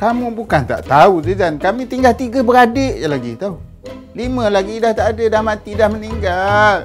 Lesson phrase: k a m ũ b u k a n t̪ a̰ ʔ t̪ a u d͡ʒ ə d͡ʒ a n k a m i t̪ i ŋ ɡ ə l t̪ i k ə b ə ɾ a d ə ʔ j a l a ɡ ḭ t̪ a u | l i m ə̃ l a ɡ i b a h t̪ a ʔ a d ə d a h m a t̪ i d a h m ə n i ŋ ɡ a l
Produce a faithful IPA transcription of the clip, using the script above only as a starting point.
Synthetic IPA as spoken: k a m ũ b u k a n t̪ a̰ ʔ t̪ a u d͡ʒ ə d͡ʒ a n k a m i t̪ i ŋ ɡ a l t̪ i ɡ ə b ə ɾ a d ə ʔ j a l a ɡ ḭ t̪ a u | l i m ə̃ l a ɡ i d a h t̪ a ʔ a d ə d a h m a t̪ i d a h m ə n i ŋ ɡ a l